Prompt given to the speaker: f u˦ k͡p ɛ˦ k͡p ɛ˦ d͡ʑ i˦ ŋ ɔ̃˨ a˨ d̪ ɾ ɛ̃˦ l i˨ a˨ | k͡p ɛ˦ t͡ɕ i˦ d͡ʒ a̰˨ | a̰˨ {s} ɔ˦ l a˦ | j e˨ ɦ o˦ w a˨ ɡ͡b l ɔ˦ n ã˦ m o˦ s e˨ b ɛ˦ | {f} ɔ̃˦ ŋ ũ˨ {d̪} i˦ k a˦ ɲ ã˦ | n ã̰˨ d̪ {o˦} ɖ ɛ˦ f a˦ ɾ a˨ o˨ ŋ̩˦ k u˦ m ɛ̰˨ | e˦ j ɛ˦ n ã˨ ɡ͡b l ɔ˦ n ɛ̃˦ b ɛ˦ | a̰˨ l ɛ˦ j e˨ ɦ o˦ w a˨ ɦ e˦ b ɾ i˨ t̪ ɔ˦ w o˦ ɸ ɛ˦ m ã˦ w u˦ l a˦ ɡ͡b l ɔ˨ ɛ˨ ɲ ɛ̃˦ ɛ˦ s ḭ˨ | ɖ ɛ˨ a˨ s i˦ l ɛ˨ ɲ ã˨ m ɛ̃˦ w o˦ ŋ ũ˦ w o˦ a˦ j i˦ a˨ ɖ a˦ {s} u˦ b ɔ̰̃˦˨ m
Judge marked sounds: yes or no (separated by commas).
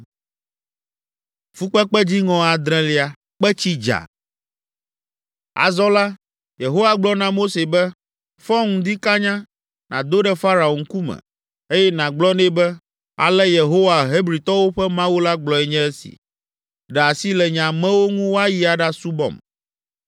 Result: no, yes, yes, yes, yes